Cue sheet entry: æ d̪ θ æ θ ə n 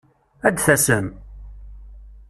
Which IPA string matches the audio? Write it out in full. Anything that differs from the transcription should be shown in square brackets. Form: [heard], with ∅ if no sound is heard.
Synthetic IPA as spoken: æ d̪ θ æ [s] ə [m]